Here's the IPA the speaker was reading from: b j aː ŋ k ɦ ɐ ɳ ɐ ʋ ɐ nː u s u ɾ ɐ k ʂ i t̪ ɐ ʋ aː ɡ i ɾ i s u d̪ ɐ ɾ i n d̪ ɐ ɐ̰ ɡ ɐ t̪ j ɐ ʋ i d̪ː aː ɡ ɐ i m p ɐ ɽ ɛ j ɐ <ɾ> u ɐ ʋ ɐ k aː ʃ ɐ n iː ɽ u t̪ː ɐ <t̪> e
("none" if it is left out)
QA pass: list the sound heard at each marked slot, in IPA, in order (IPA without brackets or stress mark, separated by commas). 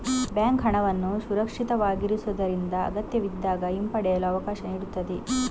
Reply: l, d̪